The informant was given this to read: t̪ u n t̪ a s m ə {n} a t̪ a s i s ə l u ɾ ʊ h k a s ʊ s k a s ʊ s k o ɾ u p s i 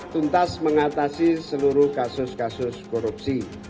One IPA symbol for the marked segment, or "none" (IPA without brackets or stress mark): ŋ